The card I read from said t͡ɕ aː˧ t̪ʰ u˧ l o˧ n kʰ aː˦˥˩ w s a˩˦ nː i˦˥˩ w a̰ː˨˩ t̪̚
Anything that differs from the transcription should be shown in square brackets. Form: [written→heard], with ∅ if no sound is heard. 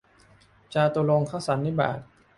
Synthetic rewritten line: t͡ɕ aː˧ [t̪ʰ→t̪] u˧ l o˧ [n→ŋ] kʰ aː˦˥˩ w s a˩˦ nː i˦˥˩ [w→b] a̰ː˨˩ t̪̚